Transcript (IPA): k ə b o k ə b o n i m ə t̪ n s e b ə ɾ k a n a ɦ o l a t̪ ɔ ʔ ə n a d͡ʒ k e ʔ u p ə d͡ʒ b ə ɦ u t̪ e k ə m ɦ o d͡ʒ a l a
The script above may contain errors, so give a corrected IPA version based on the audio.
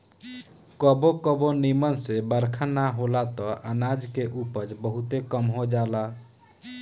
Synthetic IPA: k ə b o k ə b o n i m ə n s e b ə ɾ kʰ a n a ɦ o l a t̪ ɔ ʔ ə n a d͡ʒ k e ʔ u p ə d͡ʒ b ə ɦ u t̪ e k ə m ɦ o d͡ʒ a l a